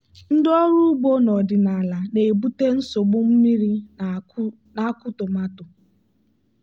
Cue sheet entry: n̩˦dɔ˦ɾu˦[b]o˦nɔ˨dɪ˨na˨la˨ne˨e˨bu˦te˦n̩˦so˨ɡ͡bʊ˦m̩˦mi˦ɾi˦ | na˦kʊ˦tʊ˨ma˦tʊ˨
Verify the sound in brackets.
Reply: incorrect: ɡ͡b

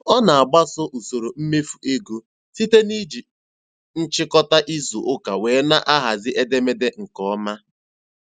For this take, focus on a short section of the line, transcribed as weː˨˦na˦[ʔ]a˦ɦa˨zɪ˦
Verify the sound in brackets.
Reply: correct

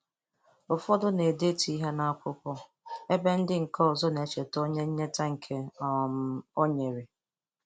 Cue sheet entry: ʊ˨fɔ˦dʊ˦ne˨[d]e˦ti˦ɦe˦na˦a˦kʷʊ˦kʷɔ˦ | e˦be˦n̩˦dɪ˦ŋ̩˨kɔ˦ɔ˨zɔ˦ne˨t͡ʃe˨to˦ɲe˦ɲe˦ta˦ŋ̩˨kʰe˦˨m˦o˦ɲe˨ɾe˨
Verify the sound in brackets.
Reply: correct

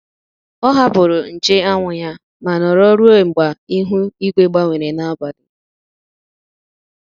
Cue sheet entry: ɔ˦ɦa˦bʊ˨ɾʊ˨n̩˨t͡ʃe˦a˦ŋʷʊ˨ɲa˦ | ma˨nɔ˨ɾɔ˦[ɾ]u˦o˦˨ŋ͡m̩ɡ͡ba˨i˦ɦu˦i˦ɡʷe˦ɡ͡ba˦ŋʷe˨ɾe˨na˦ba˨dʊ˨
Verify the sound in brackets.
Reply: correct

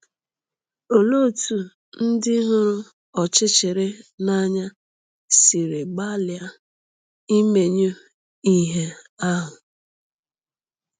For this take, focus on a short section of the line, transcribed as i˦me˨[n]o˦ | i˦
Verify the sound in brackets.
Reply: incorrect: ɲ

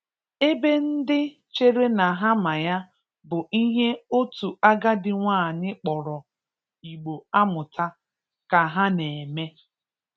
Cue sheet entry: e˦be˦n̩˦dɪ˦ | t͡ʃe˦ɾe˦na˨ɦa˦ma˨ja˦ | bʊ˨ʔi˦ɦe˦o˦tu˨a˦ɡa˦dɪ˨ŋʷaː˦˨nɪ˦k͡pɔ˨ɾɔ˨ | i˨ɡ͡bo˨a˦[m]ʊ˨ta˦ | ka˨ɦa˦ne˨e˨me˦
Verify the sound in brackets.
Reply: correct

